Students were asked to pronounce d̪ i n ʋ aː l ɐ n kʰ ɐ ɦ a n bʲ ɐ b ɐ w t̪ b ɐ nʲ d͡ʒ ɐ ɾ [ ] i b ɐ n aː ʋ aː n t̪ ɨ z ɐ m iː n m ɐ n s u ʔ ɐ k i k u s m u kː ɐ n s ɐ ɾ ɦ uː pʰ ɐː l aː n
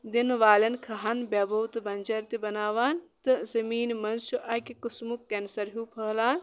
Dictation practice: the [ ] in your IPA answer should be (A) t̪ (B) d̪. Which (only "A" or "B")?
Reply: A